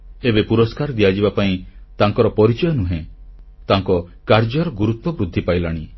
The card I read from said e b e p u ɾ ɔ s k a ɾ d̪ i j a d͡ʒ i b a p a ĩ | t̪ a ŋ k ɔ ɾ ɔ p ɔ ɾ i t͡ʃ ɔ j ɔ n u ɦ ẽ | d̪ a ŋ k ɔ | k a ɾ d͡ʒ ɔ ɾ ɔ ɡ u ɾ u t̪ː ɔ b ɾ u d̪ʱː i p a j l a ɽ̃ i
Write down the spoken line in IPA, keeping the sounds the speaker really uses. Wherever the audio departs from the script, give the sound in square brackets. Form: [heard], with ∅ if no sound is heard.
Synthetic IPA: e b e p u ɾ ɔ s k a ɾ d̪ i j a d͡ʒ i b a p a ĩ | t̪ a ŋ k ɔ ɾ ɔ p ɔ ɾ i t͡ʃ ɔ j ɔ n u ɦ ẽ | [t̪] a ŋ k ɔ | k a ɾ d͡ʒ ɔ ɾ ɔ ɡ u ɾ u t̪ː ɔ b ɾ u d̪ʱː i p a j l a ɽ̃ i